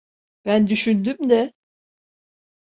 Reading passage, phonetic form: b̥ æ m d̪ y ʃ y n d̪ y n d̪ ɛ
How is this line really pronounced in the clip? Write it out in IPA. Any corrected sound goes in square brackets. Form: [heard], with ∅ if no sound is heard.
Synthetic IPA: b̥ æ [n] d̪ y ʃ y n d̪ y [m] d̪ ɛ